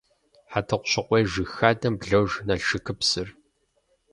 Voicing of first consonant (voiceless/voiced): voiceless